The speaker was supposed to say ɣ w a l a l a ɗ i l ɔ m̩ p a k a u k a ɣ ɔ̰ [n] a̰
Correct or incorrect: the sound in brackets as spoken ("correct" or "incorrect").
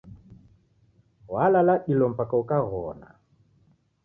correct